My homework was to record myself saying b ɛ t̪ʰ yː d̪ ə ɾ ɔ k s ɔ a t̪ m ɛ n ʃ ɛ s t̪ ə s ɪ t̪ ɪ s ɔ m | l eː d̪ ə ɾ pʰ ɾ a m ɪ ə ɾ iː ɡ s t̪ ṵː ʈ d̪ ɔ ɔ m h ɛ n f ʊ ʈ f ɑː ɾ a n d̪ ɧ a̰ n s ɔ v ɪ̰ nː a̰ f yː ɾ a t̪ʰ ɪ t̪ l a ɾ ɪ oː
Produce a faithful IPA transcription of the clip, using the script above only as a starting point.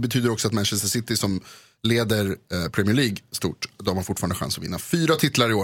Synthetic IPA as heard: b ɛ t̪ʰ yː d̪ ə ɾ ɔ k s ɔ a t̪ m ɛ n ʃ ɛ s t̪ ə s ɪ t̪ ɪ s ɔ m | l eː d̪ ə ɾ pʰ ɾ ɛ m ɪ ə ɭ iː ɡ s t̪ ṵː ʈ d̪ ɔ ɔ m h a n f ʊ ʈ f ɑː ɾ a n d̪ ɧ a̰ n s ɔ v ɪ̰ nː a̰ f yː ɾ a t̪ʰ ɪ t̪ l a ɾ ɪ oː